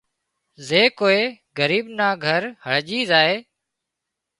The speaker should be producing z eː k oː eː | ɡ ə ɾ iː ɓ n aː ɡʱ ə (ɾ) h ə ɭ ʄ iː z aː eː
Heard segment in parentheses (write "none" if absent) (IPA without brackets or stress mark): ɾ